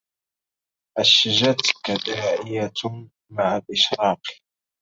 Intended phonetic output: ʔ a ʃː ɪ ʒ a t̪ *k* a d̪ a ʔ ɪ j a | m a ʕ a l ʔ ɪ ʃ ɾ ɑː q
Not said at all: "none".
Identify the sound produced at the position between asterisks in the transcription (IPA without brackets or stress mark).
k